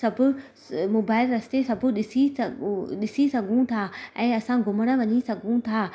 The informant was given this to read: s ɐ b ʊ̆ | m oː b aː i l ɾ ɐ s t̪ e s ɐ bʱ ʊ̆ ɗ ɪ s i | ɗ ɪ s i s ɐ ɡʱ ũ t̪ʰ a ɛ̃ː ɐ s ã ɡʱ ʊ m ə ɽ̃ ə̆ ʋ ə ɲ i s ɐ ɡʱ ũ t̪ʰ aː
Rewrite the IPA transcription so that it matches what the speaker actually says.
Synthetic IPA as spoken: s ɐ b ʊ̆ | m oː b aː ɪ l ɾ ɐ s t̪ e s ɐ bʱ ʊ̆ ɗ ɪ s i | ɗ ɪ s i s ɐ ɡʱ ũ t̪ʰ a ɛ̃ː ɐ s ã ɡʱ ʊ m ə ɽ̃ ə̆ ʋ ɐ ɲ i s ɐ ɡʱ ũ t̪ʰ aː